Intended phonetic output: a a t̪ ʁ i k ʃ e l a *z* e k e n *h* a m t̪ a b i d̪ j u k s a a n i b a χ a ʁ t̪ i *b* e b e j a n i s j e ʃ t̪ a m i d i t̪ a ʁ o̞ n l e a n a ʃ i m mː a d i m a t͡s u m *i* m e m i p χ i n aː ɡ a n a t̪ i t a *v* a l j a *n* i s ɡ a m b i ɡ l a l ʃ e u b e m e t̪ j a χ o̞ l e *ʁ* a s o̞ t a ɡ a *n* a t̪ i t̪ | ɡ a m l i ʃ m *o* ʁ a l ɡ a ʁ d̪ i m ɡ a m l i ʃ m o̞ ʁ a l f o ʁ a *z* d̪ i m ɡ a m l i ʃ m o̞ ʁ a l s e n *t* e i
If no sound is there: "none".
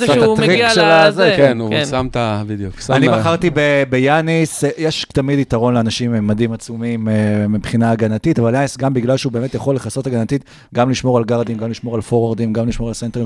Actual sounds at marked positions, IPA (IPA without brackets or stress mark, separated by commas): z, s, b, i, v, n, χ, n, o, ʁ, t